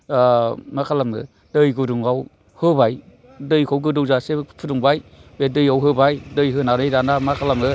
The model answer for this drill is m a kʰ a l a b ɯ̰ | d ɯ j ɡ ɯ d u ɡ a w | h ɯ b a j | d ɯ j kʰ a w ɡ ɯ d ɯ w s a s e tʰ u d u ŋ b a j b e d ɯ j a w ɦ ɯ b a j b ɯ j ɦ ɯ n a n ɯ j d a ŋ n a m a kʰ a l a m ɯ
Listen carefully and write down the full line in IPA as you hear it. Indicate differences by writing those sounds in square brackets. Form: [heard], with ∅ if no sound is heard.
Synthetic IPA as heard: m a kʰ a l a [m] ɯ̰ | d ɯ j ɡ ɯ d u [ŋ] a w | h ɯ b a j | d ɯ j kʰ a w ɡ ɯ d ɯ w [z] a s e [pʰ] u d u ŋ b a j b e d ɯ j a w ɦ ɯ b a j [d] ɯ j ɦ ɯ n a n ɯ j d a [∅] n a m a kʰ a l a m ɯ